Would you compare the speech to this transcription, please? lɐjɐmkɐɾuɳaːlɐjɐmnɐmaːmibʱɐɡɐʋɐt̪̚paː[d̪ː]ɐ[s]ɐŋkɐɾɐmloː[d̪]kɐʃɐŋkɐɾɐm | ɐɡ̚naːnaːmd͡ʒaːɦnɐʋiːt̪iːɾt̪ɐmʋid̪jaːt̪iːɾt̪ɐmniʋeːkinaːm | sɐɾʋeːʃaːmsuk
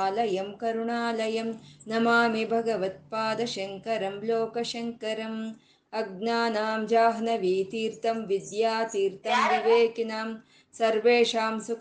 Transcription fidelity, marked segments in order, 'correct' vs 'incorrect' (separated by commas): incorrect, incorrect, incorrect